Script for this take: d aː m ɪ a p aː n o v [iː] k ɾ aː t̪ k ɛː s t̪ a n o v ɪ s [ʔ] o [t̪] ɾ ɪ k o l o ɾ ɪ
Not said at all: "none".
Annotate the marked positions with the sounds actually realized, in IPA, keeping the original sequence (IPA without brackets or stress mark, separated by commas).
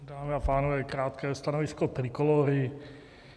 ɛː, k, t̪